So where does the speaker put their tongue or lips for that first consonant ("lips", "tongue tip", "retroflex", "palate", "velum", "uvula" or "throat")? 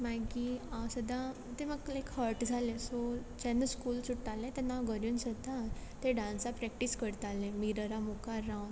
lips